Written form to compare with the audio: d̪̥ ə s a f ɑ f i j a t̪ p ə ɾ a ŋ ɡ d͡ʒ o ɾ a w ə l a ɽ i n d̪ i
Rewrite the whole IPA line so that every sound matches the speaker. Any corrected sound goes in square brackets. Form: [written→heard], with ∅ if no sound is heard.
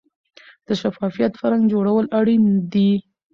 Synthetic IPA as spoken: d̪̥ ə [s→ʃ] a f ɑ f i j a t̪ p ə ɾ a ŋ ɡ d͡ʒ o [ɾ→ɽ] a w ə l a ɽ i n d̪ i